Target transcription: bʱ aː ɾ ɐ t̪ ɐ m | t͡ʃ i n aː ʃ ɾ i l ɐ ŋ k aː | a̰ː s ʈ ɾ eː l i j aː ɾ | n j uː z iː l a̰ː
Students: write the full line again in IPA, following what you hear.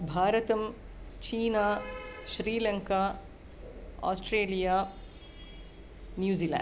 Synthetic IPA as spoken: bʱ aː ɾ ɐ t̪ ɐ m | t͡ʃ iː n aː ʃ ɾ iː l ɐ ŋ k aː | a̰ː s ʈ ɾ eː l i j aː | n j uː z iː l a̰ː